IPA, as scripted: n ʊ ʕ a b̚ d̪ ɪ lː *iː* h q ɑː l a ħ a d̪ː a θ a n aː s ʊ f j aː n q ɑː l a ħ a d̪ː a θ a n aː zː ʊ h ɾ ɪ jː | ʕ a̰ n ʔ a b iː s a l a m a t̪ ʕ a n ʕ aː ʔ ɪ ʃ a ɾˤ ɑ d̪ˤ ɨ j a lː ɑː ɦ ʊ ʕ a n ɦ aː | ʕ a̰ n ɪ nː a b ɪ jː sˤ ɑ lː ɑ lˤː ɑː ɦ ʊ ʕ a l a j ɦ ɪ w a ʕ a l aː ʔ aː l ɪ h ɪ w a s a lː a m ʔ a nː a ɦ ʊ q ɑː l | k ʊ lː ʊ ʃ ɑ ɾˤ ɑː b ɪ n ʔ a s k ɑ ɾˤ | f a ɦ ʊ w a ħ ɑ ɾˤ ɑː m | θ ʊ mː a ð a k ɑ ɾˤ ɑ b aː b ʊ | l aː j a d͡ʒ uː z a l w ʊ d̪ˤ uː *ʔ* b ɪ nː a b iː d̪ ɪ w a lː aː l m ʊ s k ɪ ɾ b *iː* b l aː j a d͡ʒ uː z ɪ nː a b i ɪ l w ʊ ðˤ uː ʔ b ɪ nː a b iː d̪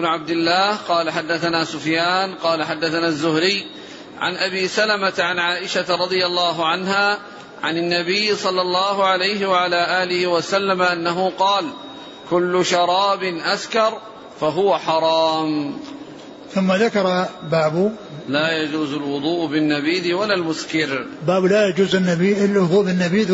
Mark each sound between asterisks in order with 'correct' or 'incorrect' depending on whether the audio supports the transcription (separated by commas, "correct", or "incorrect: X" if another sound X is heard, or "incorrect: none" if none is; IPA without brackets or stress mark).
incorrect: aː, correct, incorrect: aː